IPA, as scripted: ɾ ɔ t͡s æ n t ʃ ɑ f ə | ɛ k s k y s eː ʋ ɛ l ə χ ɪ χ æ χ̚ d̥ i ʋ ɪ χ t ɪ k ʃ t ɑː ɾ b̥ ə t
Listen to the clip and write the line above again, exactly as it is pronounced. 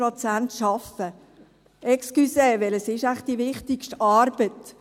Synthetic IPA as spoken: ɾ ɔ t͡s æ n t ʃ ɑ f ə | ɛ k s k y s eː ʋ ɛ l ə s ɪ ʃ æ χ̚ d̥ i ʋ ɪ χ t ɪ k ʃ t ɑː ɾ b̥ ə t